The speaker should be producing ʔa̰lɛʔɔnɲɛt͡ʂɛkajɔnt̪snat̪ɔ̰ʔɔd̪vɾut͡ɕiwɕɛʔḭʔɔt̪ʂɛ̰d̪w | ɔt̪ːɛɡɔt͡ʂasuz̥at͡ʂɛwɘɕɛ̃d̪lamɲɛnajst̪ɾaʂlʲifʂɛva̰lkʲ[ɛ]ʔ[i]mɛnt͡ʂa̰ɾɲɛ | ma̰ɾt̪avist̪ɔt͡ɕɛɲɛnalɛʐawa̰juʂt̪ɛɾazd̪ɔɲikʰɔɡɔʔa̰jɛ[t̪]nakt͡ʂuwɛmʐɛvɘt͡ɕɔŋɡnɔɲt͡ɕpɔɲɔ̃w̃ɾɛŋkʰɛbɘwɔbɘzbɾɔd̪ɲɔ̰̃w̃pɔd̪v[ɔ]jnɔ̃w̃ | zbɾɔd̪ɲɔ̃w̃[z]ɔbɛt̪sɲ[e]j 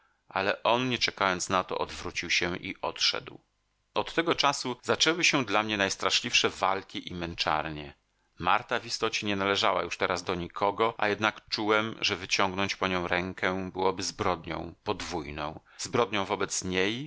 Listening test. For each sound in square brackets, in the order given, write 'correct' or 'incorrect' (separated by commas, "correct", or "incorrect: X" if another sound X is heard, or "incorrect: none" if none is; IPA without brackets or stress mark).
incorrect: i, correct, incorrect: d̪, incorrect: u, incorrect: v, correct